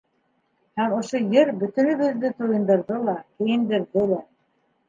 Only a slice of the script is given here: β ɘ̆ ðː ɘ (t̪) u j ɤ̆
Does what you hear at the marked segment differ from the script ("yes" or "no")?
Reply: no